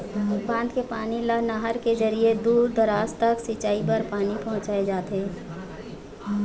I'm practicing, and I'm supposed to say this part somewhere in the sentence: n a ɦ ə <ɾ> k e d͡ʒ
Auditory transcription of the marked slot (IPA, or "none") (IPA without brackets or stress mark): ɾ